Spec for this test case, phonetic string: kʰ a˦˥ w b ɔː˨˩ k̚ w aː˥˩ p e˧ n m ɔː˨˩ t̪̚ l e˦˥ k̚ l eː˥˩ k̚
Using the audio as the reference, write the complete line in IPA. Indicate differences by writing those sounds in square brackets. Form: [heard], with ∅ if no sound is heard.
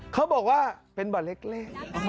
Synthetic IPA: kʰ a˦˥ w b ɔː˨˩ k̚ w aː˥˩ p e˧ n [b] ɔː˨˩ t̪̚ l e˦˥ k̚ l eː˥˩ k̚